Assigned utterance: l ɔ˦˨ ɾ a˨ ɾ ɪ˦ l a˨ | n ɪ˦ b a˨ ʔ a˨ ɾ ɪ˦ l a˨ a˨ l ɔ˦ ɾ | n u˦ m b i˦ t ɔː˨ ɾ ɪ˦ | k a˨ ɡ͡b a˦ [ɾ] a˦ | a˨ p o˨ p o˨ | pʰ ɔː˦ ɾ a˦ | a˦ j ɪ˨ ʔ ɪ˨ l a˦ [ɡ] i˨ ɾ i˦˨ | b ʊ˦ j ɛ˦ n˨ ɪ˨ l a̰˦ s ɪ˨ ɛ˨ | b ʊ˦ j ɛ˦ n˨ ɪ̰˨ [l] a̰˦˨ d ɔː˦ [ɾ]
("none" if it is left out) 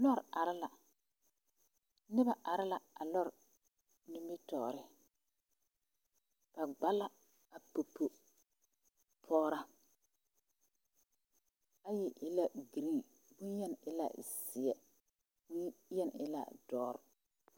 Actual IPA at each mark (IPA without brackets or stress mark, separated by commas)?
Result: l, ɡ, l, ɾ